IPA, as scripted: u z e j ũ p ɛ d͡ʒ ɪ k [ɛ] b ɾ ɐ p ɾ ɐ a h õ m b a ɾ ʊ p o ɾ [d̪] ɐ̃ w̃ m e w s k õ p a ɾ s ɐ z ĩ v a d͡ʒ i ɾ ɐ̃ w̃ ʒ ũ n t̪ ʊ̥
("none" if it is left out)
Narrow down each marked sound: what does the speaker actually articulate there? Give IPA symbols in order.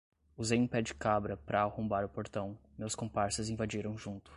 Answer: a, t̪

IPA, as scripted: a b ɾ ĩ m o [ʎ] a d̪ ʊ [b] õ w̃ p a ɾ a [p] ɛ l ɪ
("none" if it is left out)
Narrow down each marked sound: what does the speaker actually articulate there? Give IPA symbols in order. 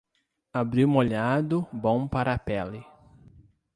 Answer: ʎ, b, p

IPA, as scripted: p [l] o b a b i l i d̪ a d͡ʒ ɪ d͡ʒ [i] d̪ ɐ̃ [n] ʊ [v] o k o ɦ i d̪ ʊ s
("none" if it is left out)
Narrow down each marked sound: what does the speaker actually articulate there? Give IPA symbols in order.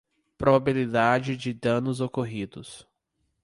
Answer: ɾ, ɪ, n, z

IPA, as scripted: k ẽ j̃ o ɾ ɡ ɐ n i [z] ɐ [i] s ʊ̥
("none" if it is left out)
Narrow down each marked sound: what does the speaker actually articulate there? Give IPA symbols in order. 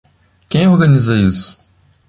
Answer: z, i

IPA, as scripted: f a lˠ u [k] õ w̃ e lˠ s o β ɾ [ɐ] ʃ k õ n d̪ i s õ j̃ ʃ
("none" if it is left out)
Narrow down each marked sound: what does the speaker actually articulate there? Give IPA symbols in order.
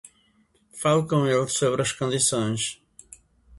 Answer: k, ɐ

